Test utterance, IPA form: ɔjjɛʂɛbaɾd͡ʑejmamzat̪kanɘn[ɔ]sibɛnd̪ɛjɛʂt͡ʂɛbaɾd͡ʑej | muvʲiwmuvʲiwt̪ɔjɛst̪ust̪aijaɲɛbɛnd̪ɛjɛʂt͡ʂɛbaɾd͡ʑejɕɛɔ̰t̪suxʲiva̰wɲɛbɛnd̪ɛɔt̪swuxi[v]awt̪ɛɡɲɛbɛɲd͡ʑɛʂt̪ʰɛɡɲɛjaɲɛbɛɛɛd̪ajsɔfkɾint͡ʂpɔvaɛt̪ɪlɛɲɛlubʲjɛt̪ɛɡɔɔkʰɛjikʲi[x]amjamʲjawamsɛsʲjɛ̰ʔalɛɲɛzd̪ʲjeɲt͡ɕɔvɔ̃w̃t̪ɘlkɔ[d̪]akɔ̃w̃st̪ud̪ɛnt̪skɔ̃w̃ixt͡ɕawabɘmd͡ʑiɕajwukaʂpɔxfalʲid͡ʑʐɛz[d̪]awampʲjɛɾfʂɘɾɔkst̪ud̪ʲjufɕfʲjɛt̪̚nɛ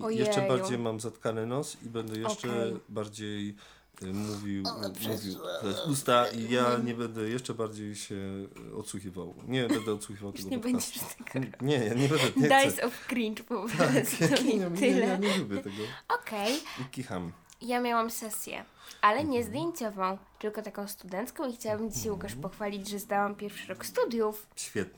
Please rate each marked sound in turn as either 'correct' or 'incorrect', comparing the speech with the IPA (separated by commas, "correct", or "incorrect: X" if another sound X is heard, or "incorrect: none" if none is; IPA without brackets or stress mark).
correct, correct, correct, incorrect: t̪, correct